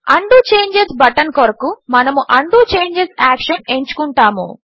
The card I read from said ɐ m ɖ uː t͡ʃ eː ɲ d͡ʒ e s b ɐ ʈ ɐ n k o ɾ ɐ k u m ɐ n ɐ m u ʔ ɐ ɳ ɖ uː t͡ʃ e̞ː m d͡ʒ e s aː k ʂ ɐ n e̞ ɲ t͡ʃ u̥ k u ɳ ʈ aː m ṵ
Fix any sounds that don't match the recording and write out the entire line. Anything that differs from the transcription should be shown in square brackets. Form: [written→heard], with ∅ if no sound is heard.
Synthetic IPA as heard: ɐ [m→ɳ] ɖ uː t͡ʃ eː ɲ d͡ʒ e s b ɐ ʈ ɐ n k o ɾ ɐ k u m ɐ n ɐ m u ʔ ɐ ɳ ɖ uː t͡ʃ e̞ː [m→ɲ] d͡ʒ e s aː k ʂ ɐ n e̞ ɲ t͡ʃ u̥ k u ɳ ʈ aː m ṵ